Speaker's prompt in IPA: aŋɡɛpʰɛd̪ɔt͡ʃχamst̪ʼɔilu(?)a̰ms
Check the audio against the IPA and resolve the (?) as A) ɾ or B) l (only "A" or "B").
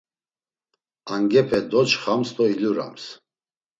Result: A